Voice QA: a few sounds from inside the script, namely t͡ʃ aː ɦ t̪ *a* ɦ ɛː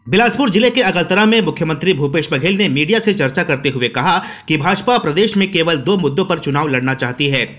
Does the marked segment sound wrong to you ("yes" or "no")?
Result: yes